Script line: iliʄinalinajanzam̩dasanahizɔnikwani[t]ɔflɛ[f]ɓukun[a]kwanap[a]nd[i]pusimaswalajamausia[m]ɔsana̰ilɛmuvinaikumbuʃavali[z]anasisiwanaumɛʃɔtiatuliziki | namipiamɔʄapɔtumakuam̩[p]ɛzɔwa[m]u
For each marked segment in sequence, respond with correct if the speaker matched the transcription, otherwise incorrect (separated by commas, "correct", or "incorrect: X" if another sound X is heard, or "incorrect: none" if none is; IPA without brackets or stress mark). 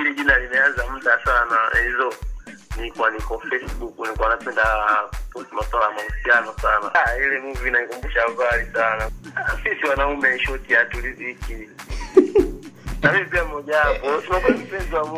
incorrect: k, incorrect: s, incorrect: i, incorrect: ɛ, incorrect: a, incorrect: n, incorrect: s, correct, correct